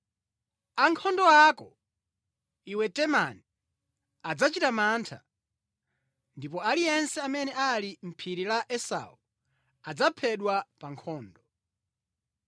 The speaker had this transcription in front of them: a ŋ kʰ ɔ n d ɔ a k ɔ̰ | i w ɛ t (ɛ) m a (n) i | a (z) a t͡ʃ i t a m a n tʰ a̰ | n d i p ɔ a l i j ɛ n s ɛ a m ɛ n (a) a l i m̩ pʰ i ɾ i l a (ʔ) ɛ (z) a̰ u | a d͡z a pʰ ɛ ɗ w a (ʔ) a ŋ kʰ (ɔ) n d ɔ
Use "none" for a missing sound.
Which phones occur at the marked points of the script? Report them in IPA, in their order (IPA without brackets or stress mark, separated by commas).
ɛ, n, d͡z, ɛ, ʔ, s, p, ɔː